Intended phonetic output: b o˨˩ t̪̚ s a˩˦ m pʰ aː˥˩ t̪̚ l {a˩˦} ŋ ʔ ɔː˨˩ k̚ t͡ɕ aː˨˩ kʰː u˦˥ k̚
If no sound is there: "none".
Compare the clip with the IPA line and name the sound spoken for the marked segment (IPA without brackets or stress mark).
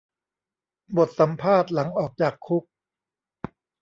a˩˦